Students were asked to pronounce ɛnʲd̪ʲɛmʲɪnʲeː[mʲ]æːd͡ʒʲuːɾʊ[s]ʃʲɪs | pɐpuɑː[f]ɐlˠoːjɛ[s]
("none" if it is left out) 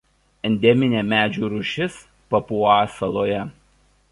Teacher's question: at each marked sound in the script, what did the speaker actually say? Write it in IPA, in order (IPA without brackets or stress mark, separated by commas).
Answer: mʲ, none, s, none